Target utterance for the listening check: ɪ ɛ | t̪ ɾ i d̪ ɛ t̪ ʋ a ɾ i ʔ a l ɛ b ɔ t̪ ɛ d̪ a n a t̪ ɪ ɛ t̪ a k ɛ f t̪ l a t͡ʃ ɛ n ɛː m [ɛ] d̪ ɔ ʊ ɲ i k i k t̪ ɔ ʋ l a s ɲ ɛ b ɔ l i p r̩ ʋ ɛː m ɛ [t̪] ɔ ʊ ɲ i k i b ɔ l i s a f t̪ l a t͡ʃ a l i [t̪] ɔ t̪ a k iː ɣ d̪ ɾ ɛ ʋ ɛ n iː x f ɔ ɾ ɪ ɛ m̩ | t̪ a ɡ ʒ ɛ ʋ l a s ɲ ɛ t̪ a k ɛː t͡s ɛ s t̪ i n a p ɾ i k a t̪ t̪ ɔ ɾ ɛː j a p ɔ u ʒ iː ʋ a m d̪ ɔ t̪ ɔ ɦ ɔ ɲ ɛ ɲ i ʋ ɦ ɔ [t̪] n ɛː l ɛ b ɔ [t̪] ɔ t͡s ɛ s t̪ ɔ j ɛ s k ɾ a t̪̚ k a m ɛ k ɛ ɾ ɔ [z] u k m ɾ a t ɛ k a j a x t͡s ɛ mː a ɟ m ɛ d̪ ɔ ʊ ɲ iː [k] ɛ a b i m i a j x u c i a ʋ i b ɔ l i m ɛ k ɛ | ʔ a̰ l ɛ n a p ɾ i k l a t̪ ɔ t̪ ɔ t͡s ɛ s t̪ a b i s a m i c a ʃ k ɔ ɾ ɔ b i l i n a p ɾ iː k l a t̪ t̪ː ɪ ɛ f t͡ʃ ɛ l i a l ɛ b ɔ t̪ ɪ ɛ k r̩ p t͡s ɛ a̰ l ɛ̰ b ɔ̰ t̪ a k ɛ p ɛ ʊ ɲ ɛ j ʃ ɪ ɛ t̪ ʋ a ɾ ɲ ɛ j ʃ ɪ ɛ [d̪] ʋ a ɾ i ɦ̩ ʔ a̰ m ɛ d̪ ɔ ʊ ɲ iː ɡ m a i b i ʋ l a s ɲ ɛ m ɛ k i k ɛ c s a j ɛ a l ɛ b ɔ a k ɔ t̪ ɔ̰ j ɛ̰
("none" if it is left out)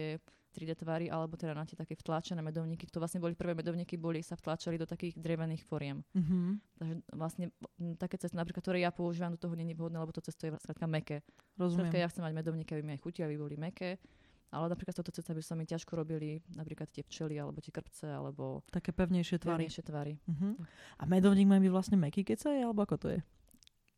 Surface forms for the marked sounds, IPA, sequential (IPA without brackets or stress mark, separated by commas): ɛ, d̪, d̪, d̪, t̪, z, k, t̪